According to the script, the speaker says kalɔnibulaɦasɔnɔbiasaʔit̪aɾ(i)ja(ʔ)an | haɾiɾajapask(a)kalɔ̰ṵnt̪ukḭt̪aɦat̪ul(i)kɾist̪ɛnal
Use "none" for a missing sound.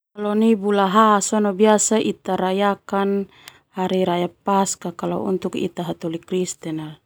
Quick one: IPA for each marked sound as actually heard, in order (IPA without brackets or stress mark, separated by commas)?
a, k, a, i